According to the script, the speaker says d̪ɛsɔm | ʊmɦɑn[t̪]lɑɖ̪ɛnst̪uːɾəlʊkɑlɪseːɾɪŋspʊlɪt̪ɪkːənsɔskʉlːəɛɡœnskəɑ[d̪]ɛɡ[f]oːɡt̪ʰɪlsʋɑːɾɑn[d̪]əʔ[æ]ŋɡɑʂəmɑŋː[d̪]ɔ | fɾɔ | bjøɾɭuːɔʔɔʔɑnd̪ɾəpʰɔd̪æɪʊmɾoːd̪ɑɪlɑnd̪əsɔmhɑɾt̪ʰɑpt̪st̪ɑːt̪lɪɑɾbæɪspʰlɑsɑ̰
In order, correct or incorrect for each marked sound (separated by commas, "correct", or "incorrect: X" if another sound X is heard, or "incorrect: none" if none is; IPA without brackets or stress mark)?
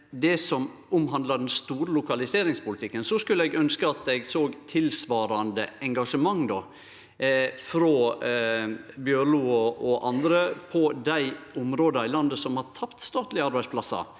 incorrect: d̪, incorrect: t̪, incorrect: s, correct, incorrect: ɛ, correct